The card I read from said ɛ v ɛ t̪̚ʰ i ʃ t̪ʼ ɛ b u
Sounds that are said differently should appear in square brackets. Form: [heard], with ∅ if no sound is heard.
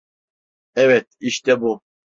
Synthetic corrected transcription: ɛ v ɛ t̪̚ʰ i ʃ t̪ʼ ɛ b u